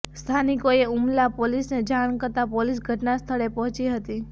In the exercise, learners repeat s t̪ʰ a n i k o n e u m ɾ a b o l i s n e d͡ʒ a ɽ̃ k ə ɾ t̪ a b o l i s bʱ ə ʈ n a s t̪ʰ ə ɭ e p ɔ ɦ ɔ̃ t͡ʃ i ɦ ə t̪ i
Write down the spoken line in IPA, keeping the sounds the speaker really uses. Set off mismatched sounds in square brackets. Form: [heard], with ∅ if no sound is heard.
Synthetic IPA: s t̪ʰ a n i k o [∅] e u m [l] a [p] o l i s n e d͡ʒ a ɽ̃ k ə ɾ t̪ a [p] o l i s [ɡʱ] ə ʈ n a s t̪ʰ ə ɭ e p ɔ ɦ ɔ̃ t͡ʃ i ɦ ə t̪ i